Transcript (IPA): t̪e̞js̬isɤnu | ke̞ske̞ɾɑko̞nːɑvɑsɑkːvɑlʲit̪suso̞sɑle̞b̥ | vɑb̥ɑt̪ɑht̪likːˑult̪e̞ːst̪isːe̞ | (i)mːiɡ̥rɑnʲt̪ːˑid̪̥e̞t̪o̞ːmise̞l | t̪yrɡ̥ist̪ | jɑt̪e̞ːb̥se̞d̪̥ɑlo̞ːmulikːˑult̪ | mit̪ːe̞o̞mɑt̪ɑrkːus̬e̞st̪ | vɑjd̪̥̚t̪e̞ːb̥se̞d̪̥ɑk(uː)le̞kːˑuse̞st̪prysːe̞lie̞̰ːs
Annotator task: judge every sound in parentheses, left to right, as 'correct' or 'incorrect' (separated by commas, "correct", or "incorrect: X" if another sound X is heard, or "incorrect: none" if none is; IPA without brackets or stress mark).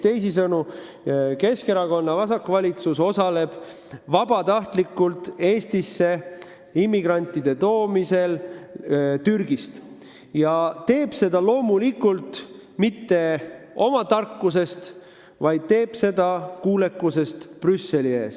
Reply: correct, correct